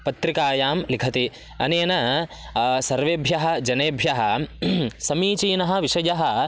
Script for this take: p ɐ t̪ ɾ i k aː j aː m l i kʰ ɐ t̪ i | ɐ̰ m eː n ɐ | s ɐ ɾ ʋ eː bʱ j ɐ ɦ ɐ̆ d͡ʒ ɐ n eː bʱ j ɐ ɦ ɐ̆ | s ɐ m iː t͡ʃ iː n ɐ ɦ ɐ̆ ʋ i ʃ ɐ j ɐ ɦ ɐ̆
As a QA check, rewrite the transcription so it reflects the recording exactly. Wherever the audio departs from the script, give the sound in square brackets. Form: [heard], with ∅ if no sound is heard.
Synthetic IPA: p ɐ t̪ ɾ i k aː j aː m l i kʰ ɐ t̪ i | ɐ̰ [n] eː n ɐ | s ɐ ɾ ʋ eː bʱ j ɐ ɦ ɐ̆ d͡ʒ ɐ n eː bʱ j ɐ ɦ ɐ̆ | s ɐ m iː t͡ʃ iː n ɐ ɦ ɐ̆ ʋ i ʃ ɐ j ɐ ɦ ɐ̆